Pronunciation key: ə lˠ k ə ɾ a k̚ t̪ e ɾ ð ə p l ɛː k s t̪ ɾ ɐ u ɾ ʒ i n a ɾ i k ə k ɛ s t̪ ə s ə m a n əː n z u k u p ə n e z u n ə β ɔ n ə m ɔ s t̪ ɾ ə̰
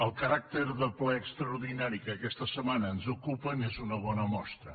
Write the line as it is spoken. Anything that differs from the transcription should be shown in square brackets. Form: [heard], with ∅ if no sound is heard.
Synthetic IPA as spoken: ə lˠ k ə ɾ a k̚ t̪ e ɾ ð ə p l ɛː k s t̪ ɾ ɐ u ɾ [ð] i n a ɾ i k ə k ɛ s t̪ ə s ə m a n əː n z u k u p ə n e z u n ə β ɔ n ə m ɔ s t̪ ɾ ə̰